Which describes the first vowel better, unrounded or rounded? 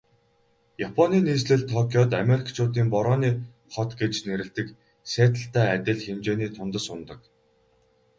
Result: unrounded